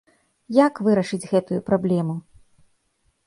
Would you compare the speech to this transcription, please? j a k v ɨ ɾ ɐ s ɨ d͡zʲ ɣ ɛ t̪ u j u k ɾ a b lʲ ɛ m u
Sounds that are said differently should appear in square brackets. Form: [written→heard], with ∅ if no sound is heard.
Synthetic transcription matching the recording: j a k v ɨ ɾ ɐ [s→ʂ] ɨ d͡zʲ ɣ ɛ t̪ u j u [k→p] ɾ a b lʲ ɛ m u